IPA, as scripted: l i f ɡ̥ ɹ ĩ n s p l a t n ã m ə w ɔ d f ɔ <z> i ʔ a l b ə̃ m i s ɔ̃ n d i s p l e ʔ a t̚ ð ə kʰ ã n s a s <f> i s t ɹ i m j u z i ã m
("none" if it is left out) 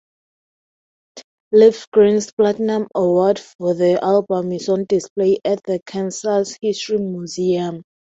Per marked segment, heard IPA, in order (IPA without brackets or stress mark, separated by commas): ð, h